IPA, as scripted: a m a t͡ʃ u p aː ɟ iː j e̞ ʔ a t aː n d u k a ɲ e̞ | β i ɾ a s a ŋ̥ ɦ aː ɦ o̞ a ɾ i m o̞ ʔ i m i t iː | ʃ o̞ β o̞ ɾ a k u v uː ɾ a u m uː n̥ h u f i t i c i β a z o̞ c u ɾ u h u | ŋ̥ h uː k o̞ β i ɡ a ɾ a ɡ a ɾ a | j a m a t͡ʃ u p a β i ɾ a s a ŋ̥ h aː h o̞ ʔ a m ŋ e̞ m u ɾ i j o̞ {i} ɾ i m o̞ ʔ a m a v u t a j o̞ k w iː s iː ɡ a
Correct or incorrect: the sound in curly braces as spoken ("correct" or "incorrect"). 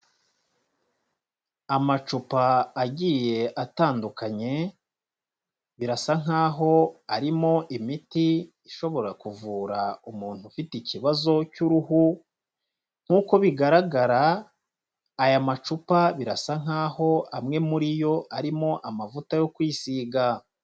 incorrect